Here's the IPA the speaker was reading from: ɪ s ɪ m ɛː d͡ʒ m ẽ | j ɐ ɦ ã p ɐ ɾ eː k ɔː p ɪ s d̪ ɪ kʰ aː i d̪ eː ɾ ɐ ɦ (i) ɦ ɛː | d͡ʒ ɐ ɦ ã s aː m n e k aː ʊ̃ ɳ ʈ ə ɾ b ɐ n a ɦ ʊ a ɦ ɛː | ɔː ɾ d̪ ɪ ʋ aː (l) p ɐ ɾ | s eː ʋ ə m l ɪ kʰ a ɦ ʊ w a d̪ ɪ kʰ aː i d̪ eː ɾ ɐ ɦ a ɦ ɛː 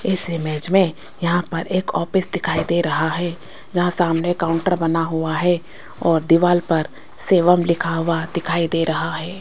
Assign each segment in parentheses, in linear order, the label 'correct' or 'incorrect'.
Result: incorrect, correct

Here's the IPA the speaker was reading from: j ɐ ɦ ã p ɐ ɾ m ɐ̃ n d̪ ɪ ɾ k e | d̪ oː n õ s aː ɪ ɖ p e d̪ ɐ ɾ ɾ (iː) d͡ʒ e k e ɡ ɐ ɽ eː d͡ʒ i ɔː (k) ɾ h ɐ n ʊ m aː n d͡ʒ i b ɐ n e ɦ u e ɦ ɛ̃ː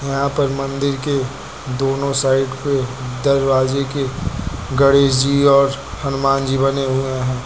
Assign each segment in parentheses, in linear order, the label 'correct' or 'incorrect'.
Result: incorrect, incorrect

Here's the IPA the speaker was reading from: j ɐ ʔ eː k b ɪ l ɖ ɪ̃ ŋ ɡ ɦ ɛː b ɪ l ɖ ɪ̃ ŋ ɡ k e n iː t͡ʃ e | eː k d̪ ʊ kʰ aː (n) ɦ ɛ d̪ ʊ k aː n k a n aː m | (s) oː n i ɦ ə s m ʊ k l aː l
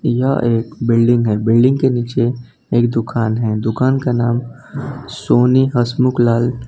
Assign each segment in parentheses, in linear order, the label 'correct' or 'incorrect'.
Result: correct, correct

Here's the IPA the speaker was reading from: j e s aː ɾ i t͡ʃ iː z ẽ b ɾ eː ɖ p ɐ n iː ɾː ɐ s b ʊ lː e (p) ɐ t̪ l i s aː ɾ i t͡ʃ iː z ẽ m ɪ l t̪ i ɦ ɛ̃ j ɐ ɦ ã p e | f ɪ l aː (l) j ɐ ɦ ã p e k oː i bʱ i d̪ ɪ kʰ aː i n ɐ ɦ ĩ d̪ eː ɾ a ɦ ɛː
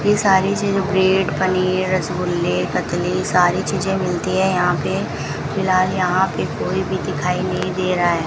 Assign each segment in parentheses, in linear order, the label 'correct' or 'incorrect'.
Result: incorrect, correct

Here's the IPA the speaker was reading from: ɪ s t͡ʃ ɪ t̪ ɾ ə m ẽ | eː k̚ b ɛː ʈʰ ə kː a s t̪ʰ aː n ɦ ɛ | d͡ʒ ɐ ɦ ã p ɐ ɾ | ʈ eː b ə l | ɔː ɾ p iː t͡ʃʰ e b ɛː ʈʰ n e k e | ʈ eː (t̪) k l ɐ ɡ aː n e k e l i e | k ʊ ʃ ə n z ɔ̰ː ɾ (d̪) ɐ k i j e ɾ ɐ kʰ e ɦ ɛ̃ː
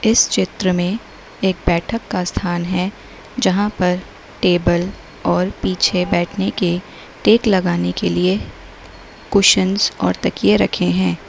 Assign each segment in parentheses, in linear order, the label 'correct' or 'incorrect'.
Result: incorrect, incorrect

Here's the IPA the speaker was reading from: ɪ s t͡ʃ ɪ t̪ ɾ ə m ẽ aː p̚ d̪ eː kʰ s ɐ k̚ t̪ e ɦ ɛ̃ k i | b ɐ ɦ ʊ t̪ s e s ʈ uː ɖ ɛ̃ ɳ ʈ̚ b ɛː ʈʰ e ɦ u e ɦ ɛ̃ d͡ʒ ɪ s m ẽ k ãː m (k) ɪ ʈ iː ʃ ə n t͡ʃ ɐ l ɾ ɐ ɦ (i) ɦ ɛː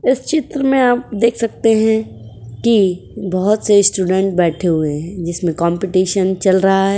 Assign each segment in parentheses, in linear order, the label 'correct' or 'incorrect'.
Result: incorrect, incorrect

